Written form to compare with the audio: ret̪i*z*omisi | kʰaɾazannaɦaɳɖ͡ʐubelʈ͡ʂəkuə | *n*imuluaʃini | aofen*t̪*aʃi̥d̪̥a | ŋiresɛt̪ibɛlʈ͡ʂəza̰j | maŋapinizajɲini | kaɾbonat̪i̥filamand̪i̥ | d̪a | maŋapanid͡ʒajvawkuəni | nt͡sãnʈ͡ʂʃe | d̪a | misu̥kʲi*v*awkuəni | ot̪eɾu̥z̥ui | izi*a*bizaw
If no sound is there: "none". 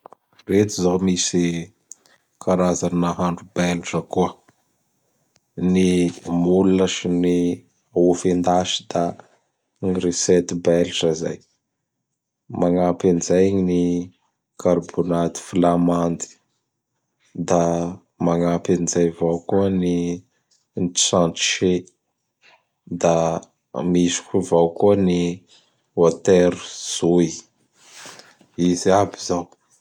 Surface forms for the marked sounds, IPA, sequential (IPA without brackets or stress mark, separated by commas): z, n, d̪, v, a